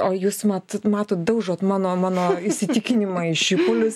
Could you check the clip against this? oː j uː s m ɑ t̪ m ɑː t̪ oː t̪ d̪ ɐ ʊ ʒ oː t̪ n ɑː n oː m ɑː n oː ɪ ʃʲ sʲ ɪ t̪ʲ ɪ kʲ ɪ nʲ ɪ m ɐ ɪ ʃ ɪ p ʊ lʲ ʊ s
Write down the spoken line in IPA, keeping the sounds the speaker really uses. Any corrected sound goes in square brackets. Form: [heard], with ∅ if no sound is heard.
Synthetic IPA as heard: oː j uː s m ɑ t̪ m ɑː t̪ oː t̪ d̪ ɐ ʊ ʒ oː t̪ [m] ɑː n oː m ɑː n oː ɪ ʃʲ sʲ ɪ t̪ʲ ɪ kʲ ɪ nʲ ɪ m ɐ ɪ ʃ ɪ p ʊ lʲ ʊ s

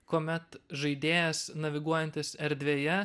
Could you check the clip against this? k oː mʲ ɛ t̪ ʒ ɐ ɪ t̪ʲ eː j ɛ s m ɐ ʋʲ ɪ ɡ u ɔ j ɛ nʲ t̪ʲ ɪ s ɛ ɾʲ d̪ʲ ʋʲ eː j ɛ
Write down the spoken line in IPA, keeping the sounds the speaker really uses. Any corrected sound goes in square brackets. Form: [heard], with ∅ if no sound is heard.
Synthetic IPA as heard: k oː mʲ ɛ t̪ ʒ ɐ ɪ [d̪ʲ] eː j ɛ s [n] ɐ ʋʲ ɪ ɡ u ɔ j ɛ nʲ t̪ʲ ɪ s ɛ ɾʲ d̪ʲ ʋʲ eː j ɛ

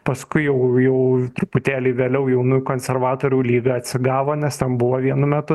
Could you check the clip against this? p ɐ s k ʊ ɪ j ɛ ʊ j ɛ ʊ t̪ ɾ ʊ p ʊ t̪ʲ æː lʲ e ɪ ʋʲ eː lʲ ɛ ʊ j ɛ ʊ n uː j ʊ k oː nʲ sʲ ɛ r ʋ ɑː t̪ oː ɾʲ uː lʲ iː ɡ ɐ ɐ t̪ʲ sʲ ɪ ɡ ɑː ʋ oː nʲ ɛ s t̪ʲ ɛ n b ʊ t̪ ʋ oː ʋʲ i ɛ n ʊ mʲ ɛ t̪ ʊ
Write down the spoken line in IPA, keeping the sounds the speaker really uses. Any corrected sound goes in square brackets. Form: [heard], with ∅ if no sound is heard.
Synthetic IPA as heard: p ɐ s k ʊ ɪ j ɛ ʊ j ɛ ʊ t̪ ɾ ʊ p ʊ t̪ʲ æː lʲ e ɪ ʋʲ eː lʲ ɛ ʊ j ɛ ʊ n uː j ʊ k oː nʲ sʲ ɛ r ʋ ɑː t̪ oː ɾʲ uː lʲ iː ɡ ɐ ɐ t̪ʲ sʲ ɪ ɡ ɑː ʋ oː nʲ ɛ s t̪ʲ ɛ n b ʊ [∅] ʋ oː ʋʲ i ɛ n ʊ mʲ ɛ t̪ ʊ

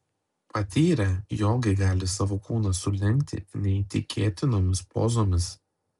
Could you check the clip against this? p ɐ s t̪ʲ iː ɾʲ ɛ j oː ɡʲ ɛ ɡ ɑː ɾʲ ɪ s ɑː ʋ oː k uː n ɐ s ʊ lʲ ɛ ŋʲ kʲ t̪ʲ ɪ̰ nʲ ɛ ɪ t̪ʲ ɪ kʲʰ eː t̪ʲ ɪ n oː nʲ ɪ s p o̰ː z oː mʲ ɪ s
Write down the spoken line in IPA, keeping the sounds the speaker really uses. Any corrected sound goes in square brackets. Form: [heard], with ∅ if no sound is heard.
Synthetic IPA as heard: p ɐ [∅] t̪ʲ iː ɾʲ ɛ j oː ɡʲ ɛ ɡ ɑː [lʲ] ɪ s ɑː ʋ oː k uː n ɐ s ʊ lʲ ɛ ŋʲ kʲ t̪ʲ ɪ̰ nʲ ɛ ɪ t̪ʲ ɪ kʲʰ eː t̪ʲ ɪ n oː [mʲ] ɪ s p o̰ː z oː mʲ ɪ s

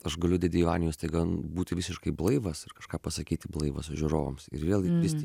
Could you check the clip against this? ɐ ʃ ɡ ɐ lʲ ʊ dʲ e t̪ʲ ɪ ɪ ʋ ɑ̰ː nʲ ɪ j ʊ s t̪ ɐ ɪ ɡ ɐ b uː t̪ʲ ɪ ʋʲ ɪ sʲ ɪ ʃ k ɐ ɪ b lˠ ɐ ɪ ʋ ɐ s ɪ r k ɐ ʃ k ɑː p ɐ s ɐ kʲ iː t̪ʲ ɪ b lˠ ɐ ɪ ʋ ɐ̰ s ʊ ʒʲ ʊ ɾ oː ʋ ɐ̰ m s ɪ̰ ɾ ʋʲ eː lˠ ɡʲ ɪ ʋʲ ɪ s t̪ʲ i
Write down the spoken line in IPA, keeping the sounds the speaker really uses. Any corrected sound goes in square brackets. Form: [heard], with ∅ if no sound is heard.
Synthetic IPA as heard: ɐ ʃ ɡ ɐ lʲ ʊ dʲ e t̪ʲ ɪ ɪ ʋ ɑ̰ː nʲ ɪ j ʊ s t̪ ɐ ɪ ɡ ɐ b uː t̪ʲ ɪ ʋʲ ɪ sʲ ɪ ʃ k ɐ ɪ b lˠ ɐ ɪ ʋ ɐ s ɪ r k ɐ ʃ k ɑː p ɐ s ɐ kʲ iː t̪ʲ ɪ b lˠ ɐ ɪ ʋ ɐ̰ s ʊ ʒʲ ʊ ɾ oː ʋ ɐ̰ m s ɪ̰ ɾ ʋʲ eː lˠ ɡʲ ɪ ʋʲ ɪ s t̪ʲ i

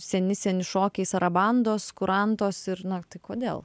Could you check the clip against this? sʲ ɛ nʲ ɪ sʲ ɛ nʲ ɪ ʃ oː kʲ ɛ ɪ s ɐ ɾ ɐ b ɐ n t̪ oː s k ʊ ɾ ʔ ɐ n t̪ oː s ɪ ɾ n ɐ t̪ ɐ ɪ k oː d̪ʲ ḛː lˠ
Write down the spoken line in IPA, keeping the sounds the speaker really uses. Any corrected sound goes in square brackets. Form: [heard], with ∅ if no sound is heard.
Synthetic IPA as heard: sʲ ɛ nʲ ɪ sʲ ɛ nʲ ɪ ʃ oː kʲ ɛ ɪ s ɐ ɾ ɐ b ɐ n [d̪] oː s k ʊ ɾ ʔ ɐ n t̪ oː s ɪ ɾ n ɐ t̪ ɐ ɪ k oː d̪ʲ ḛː lˠ

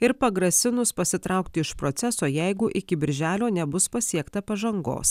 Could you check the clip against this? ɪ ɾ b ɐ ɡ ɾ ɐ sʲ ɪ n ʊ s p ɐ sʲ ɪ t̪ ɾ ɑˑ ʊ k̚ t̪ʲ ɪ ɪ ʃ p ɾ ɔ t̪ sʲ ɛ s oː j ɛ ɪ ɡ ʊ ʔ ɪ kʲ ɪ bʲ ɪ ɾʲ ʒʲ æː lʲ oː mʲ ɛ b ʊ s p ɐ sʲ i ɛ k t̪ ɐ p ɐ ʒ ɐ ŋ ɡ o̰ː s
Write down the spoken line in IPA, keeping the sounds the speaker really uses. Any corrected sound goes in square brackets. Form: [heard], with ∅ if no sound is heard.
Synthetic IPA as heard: ɪ ɾ [p] ɐ ɡ ɾ ɐ sʲ ɪ n ʊ s p ɐ sʲ ɪ t̪ ɾ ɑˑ ʊ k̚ t̪ʲ ɪ ɪ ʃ p ɾ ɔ t̪ sʲ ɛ s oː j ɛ ɪ ɡ ʊ ʔ ɪ kʲ ɪ bʲ ɪ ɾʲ ʒʲ æː lʲ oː [nʲ] ɛ b ʊ s p ɐ sʲ i ɛ k t̪ ɐ p ɐ ʒ ɐ ŋ ɡ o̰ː s

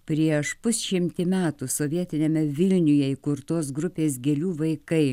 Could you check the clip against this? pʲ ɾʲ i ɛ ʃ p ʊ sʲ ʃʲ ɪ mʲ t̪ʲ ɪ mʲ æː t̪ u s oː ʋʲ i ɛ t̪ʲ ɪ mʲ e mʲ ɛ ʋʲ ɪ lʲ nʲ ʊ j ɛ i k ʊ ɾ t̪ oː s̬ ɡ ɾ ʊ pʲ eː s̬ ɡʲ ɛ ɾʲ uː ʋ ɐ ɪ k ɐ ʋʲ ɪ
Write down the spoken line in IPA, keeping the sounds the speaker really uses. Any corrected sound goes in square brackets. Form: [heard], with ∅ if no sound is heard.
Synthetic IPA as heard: pʲ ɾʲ i ɛ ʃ p ʊ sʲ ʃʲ ɪ mʲ t̪ʲ ɪ mʲ æː t̪ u s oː ʋʲ i ɛ t̪ʲ ɪ [nʲ] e mʲ ɛ ʋʲ ɪ lʲ nʲ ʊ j ɛ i k ʊ ɾ t̪ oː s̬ ɡ ɾ ʊ pʲ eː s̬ ɡʲ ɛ [lʲ] uː ʋ ɐ ɪ k ɐ [∅] ɪ

